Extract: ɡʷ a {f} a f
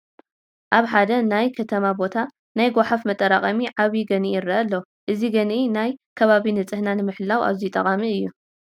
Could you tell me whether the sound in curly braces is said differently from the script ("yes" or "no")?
yes